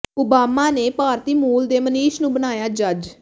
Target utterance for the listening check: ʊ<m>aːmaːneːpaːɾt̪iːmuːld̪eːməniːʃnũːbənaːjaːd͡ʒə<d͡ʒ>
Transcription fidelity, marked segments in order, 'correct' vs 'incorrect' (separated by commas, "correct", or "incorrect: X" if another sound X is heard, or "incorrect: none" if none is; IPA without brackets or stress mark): incorrect: b, correct